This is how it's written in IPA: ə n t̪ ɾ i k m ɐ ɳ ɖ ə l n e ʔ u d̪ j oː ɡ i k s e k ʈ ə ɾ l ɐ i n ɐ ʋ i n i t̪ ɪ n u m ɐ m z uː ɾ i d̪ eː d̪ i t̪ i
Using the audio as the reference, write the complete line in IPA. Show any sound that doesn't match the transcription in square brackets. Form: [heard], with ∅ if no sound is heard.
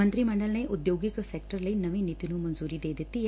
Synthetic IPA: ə n t̪ ɾ i [∅] m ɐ ɳ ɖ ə l n e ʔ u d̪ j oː ɡ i k s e k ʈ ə ɾ l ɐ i n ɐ ʋ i n i t̪ [i] n u m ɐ [n] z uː ɾ i d̪ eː d̪ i t̪ i

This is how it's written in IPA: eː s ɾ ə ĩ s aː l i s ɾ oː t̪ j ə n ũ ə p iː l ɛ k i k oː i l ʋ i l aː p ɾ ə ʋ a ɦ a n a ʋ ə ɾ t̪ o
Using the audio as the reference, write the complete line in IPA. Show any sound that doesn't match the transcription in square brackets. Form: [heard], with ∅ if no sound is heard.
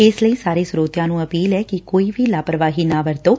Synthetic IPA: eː s [l] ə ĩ s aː [ɾ] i s ɾ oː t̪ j [a] n ũ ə p iː l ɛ k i k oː i [∅] ʋ i l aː p ɾ ə ʋ a ɦ [i] n a ʋ ə ɾ t̪ o

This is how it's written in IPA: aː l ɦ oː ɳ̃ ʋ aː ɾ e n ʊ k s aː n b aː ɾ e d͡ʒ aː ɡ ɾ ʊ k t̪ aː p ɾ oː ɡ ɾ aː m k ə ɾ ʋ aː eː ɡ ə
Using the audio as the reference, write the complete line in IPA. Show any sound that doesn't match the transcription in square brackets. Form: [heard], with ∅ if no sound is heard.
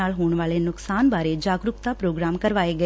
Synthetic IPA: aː l ɦ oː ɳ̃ ʋ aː [l] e n ʊ k s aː n b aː ɾ e d͡ʒ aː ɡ ɾ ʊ k t̪ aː p ɾ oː ɡ ɾ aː m k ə ɾ ʋ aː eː ɡ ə

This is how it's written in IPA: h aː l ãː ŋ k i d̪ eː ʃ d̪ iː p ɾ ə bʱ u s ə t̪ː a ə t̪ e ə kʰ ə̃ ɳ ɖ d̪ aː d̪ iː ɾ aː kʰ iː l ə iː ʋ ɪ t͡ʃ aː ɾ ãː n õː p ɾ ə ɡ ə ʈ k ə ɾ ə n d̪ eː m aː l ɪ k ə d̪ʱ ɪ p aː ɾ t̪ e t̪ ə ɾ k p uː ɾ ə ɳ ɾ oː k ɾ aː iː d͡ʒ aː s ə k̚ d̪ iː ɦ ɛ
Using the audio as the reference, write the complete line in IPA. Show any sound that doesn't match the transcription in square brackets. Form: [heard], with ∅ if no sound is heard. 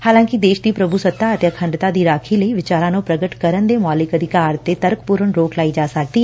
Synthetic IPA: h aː l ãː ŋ k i d̪ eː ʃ d̪ iː p ɾ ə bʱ u s ə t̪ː a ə t̪ e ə kʰ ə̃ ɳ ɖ [t̪] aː d̪ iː ɾ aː kʰ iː l ə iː ʋ ɪ t͡ʃ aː ɾ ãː n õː p ɾ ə ɡ ə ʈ k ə ɾ ə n d̪ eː m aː l ɪ k ə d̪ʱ ɪ [k] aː ɾ t̪ e t̪ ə ɾ k p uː ɾ ə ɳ ɾ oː k [l] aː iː d͡ʒ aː s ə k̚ d̪ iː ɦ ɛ

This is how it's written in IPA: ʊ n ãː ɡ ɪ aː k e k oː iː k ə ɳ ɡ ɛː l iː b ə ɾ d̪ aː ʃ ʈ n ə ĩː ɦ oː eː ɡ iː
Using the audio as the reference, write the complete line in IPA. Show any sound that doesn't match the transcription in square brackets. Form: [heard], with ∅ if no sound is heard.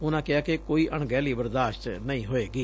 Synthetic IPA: ʊ n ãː [k] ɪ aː k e k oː iː [ʔ] ə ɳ ɡ ɛː l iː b ə ɾ d̪ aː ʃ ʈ n ə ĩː ɦ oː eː ɡ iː

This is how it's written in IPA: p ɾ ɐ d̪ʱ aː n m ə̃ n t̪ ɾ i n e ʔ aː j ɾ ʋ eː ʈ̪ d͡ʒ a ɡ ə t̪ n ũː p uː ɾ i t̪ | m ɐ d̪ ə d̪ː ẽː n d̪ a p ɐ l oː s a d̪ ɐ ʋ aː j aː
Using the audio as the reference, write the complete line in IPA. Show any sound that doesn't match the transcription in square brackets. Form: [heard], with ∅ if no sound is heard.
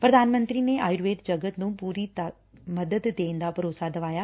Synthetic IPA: p ɾ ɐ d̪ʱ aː n m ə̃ n t̪ ɾ i n e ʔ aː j ɾ ʋ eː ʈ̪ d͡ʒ [ɐ] ɡ ə t̪ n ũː p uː ɾ i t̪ | m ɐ d̪ ə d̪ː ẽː n d̪ a p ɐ [ɾ] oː s a d̪ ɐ ʋ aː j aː

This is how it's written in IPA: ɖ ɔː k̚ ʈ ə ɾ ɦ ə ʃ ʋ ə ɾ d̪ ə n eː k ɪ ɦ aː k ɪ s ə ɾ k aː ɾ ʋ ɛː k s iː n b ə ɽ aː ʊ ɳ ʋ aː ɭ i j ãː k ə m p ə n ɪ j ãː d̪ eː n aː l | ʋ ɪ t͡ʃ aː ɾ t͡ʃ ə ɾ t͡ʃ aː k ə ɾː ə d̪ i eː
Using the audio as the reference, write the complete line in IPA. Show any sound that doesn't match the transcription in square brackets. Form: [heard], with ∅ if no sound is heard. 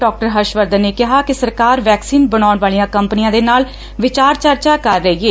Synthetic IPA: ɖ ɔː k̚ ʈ ə ɾ ɦ ə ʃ ʋ ə ɾ d̪ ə n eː k ɪ ɦ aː k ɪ s ə ɾ k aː ɾ ʋ ɛː k s iː n b ə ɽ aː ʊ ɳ ʋ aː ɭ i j ãː k ə m p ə n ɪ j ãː d̪ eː n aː l | ʋ ɪ t͡ʃ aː ɾ t͡ʃ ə ɾ t͡ʃ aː k ə ɾː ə [∅] i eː

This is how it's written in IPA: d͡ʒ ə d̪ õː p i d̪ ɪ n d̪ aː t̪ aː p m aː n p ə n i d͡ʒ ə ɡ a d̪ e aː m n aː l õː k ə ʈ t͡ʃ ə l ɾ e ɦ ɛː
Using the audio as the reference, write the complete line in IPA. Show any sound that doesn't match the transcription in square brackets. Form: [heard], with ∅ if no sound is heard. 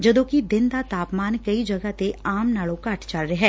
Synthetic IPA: d͡ʒ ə d̪ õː [k] i d̪ ɪ n d̪ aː t̪ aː p m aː n [k] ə [∅] i d͡ʒ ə ɡ a [t̪] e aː m n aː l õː k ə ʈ t͡ʃ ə l ɾ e ɦ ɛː

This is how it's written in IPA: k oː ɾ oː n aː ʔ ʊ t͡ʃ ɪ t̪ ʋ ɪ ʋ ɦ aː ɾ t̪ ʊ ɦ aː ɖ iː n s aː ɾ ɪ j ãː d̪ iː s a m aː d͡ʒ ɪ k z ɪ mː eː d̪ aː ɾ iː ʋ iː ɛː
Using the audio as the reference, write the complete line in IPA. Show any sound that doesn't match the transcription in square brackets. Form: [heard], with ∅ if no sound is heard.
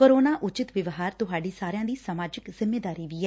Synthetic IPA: k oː ɾ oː n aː ʔ ʊ t͡ʃ ɪ t̪ ʋ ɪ ʋ ɦ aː ɾ t̪ ʊ ɦ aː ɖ iː [∅] s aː ɾ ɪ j ãː d̪ iː s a m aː d͡ʒ ɪ k z ɪ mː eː d̪ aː ɾ iː ʋ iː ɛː

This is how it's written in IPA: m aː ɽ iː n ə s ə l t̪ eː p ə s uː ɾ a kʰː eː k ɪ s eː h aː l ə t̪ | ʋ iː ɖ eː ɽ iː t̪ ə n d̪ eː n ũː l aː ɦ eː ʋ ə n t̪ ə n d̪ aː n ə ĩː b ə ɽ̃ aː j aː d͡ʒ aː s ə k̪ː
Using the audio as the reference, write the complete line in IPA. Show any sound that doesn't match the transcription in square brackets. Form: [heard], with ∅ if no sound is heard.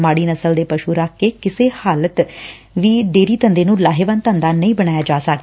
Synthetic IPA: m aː ɽ iː n ə s ə l [d̪] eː p ə [ʃ] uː ɾ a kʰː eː k ɪ s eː h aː l ə t̪ | ʋ iː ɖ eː [ɾ] iː t̪ ə n d̪ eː n ũː l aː ɦ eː ʋ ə n t̪ ə n d̪ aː n ə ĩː b ə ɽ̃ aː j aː d͡ʒ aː s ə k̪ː

